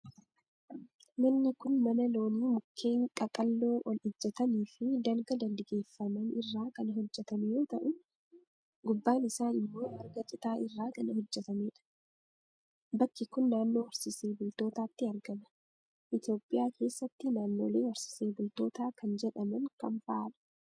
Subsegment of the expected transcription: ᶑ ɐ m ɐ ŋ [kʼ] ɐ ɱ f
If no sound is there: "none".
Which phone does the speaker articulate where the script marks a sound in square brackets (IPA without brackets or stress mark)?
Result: k